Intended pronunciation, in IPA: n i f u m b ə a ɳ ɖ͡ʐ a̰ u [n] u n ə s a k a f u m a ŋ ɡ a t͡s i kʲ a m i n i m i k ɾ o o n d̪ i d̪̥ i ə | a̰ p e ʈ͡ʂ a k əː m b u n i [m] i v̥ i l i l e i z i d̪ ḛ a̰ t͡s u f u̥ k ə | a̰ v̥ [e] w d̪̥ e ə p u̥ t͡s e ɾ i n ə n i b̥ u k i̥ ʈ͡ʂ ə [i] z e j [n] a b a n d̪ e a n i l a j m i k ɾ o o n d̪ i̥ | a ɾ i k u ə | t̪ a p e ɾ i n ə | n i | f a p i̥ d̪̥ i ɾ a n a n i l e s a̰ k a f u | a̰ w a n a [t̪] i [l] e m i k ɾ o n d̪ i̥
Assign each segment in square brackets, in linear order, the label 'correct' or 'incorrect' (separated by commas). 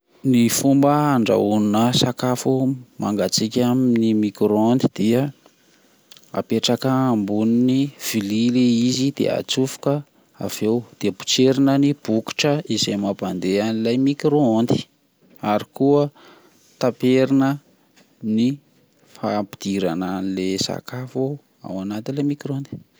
correct, incorrect, correct, correct, incorrect, correct, correct